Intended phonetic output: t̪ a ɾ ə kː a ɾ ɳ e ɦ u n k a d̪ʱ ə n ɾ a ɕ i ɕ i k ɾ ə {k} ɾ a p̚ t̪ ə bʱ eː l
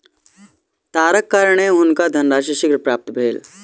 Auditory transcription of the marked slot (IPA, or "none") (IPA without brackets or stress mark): p